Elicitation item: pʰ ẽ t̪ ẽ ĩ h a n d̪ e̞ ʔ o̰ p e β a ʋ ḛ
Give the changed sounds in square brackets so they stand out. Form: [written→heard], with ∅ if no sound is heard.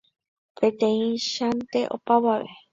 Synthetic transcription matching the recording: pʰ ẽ t̪ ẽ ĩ [h→ʃ] a n [d̪→t̪] e̞ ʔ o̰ p [e→a] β a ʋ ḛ